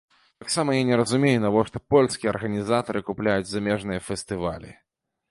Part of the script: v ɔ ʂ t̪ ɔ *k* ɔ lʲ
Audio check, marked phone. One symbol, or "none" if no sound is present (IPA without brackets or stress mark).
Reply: p